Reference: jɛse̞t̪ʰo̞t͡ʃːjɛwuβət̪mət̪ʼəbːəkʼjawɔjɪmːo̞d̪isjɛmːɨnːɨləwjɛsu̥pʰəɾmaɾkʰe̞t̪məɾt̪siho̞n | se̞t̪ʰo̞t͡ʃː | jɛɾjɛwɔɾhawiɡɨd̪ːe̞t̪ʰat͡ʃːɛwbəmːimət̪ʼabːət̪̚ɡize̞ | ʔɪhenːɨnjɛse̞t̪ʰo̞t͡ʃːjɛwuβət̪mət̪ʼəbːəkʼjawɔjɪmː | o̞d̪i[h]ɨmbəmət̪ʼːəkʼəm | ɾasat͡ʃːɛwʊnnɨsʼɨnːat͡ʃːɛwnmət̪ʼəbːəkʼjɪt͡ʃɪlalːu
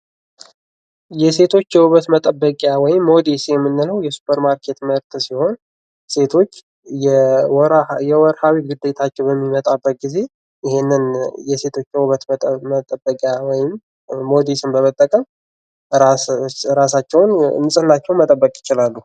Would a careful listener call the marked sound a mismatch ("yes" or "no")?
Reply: yes